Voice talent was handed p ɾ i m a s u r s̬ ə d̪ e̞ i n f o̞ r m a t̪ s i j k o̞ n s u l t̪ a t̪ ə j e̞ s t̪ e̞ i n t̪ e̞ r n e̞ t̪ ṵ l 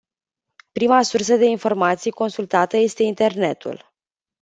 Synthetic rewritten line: p ɾ i m a s u r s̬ ə d̪ e̞ i n f o̞ r m a t̪ s i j k o̞ n s u l t̪ a t̪ ə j e̞ s t̪ e̞ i n t̪ e̞ r n e̞ t̪ ṵ l